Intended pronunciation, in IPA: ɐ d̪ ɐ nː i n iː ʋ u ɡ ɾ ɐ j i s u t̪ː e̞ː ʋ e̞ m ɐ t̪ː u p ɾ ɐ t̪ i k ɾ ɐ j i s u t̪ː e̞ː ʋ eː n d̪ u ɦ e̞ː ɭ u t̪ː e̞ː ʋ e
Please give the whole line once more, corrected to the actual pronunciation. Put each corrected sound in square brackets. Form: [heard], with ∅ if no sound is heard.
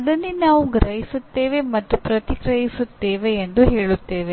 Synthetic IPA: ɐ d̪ ɐ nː i n [aː] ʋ u ɡ ɾ ɐ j i s u t̪ː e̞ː ʋ e̞ m ɐ t̪ː u p ɾ ɐ t̪ i k ɾ ɐ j i s u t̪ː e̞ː ʋ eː n d̪ u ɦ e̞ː ɭ u t̪ː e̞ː ʋ e

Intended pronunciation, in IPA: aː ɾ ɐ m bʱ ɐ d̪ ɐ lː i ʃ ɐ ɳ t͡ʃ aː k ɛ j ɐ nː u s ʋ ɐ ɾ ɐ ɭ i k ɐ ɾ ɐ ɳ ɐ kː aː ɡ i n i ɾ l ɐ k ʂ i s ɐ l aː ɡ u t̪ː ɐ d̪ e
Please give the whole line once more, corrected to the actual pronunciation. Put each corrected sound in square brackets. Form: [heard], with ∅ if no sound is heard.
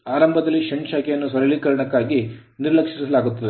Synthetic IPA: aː ɾ ɐ m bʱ ɐ d̪ ɐ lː i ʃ ɐ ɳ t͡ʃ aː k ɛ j ɐ nː u s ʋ ɐ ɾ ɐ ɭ i k ɐ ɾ ɐ ɳ ɐ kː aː ɡ i n i ɾ l ɐ k ʂ i s ɐ l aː ɡ u t̪ː ɐ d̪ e

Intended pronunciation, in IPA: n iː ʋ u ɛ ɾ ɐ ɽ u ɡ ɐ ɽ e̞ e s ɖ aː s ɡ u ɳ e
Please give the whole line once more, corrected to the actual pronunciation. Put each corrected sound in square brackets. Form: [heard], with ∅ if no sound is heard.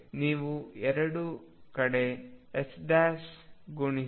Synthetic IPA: n iː ʋ u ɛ ɾ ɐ ɽ u [k] ɐ ɽ e̞ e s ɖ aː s ɡ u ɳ [i]

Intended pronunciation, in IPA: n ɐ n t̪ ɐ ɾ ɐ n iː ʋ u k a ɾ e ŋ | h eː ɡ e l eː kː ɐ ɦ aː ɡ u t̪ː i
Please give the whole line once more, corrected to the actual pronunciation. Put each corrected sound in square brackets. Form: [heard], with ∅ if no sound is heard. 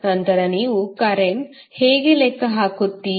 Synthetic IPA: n ɐ n t̪ ɐ ɾ ɐ n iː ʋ u k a ɾ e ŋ | h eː ɡ e l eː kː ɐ ɦ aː [k] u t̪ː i

